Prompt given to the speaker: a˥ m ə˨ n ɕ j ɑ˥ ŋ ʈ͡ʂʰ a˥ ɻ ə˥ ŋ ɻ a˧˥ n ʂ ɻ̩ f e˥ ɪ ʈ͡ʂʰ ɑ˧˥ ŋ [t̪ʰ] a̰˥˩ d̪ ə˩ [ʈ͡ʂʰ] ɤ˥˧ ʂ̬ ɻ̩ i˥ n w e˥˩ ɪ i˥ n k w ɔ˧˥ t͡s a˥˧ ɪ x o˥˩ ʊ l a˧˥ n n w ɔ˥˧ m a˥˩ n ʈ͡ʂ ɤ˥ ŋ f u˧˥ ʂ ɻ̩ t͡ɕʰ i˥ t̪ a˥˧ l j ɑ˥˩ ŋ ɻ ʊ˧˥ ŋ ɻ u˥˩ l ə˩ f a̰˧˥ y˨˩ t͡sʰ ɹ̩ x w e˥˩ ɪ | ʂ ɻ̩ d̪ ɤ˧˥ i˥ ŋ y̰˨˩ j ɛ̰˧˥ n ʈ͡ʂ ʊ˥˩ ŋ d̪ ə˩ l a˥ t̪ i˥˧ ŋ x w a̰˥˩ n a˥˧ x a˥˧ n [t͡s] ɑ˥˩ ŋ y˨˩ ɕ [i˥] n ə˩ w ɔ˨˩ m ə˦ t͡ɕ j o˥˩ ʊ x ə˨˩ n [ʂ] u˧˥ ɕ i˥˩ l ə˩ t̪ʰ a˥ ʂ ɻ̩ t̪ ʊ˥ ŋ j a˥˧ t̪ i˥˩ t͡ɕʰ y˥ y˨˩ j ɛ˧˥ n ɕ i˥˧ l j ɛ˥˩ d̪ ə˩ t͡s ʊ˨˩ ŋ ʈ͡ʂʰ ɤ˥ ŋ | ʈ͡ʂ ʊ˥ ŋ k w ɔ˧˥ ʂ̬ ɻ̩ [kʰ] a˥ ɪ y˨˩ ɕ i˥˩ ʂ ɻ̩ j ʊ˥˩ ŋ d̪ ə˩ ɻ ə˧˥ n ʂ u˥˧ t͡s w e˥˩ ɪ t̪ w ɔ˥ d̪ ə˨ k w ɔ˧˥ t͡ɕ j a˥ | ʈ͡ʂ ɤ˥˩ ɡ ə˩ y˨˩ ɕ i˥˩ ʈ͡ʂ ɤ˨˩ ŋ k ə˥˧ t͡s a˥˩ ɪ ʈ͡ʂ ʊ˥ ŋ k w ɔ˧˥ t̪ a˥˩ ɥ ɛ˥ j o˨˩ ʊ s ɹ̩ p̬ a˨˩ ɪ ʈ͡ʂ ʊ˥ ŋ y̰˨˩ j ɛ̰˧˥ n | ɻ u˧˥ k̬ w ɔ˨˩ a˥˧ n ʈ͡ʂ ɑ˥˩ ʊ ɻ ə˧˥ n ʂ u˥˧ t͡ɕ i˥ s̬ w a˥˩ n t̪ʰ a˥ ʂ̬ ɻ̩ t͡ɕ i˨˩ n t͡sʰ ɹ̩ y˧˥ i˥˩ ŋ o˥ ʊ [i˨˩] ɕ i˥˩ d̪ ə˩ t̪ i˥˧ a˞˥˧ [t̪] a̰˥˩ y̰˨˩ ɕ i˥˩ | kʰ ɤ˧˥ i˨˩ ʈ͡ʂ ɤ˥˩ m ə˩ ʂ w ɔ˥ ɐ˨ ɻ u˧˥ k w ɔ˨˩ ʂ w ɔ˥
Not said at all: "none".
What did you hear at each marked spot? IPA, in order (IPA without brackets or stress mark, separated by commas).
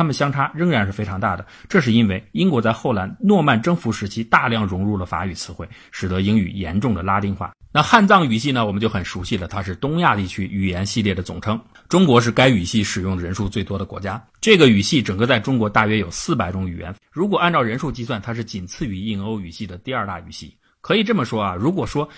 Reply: t̪, ʈ͡ʂ, t͡s, i˥˩, ʂ, k, y˨˩, t̪